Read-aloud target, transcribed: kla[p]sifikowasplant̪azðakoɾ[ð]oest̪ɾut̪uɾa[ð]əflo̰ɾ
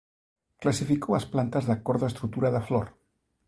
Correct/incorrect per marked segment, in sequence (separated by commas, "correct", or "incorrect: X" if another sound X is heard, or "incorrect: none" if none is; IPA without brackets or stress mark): incorrect: none, correct, correct